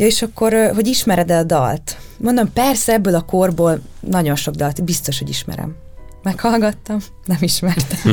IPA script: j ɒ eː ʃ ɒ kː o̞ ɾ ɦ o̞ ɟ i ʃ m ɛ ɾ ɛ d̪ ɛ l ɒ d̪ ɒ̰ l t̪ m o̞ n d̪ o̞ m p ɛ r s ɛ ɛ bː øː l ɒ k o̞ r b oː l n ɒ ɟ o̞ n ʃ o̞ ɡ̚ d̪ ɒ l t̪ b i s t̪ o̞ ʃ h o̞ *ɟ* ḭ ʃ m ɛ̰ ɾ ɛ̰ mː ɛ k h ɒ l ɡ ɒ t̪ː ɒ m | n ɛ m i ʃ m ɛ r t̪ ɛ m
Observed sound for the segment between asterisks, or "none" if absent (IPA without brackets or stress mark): ɟ